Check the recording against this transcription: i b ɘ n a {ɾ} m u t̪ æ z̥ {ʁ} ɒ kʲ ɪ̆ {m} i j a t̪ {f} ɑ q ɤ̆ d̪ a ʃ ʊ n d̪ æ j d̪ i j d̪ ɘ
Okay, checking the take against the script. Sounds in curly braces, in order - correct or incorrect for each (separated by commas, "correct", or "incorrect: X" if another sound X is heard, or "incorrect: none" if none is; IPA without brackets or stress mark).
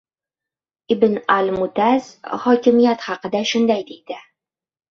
incorrect: l, incorrect: χ, correct, incorrect: χ